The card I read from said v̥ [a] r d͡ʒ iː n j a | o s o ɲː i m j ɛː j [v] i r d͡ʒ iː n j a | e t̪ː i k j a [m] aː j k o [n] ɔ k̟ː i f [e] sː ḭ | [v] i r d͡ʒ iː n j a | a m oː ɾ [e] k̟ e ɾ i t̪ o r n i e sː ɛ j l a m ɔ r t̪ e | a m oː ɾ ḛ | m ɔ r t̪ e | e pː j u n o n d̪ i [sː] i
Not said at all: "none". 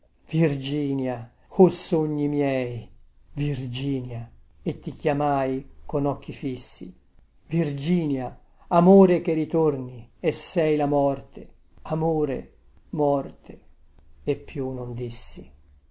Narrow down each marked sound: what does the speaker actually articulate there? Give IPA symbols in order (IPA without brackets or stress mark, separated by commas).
i, v, m, n, i, v, e, sː